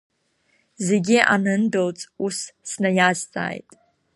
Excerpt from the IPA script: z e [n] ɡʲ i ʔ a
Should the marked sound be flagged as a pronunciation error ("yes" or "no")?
yes